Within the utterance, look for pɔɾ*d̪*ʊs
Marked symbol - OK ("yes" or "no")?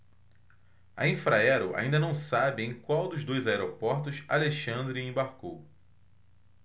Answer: no